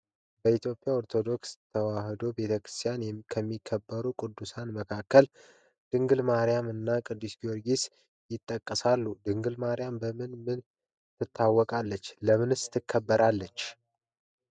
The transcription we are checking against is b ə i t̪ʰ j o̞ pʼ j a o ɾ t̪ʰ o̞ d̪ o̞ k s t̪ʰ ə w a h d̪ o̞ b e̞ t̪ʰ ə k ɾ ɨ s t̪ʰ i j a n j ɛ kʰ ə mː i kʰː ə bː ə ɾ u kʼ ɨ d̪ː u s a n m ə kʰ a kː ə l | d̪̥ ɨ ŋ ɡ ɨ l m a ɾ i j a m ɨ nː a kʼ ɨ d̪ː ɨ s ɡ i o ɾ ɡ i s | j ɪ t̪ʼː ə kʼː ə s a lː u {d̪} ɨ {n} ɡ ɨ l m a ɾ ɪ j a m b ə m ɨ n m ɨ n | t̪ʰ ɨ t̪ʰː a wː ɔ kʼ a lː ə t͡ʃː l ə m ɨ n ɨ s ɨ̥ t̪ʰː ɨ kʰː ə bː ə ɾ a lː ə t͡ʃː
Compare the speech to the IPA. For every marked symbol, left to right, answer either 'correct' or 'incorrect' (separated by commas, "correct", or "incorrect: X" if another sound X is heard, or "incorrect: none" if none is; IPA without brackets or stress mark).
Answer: correct, incorrect: ŋ